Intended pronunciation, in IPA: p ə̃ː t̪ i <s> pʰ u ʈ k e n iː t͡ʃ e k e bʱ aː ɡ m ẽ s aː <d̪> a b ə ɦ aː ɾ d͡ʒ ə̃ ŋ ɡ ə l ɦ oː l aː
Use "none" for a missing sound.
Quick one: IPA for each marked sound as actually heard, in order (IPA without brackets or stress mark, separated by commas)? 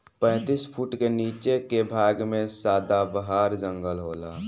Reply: s, d̪